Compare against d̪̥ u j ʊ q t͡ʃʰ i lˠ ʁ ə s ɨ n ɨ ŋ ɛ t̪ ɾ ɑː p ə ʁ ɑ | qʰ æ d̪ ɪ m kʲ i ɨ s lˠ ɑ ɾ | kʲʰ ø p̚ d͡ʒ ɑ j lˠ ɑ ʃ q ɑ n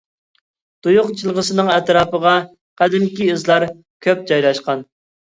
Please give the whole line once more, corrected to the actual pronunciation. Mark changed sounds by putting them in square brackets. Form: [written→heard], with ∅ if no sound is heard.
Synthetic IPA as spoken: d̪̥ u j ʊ q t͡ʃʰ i lˠ ʁ ə s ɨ n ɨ ŋ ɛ t̪ ɾ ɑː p ə ʁ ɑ | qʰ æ d̪ ɪ m kʲ i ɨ [s→z] lˠ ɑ ɾ | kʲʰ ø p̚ d͡ʒ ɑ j lˠ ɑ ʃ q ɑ n